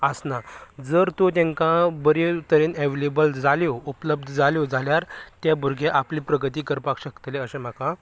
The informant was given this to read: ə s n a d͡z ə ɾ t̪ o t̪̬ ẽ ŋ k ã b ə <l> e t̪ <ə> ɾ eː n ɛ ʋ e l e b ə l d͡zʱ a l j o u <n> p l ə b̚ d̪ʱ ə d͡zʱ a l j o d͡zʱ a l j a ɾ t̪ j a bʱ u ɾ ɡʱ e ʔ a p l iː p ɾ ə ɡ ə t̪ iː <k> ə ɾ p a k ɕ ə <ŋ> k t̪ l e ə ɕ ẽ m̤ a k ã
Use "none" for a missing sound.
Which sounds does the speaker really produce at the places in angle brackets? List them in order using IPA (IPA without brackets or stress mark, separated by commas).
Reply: ɾ, ə, none, k, none